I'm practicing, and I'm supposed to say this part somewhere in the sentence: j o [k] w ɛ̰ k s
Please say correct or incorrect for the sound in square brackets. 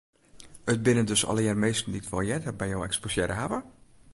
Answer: incorrect